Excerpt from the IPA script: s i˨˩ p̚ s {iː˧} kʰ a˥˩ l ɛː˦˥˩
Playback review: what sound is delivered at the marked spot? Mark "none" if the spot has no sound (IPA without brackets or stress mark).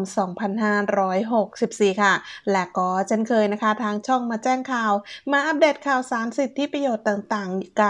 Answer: iː˨˩